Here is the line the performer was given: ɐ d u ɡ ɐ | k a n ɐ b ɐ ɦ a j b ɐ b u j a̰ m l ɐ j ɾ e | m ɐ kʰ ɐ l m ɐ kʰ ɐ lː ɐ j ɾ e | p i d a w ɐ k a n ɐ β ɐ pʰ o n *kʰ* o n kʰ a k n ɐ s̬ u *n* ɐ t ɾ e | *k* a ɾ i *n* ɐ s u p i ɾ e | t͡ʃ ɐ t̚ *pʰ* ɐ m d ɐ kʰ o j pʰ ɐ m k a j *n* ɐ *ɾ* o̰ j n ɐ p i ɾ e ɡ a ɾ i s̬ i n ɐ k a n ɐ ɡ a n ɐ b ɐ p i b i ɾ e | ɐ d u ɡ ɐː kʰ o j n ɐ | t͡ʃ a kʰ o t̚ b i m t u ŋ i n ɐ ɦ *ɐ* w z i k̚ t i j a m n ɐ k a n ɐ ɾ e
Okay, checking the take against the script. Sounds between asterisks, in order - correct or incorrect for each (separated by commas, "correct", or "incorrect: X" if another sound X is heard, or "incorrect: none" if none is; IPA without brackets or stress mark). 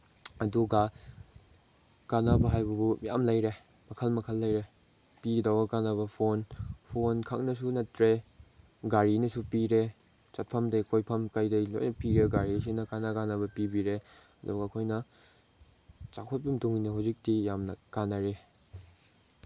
incorrect: pʰ, correct, incorrect: ɡ, correct, correct, incorrect: d, incorrect: l, incorrect: a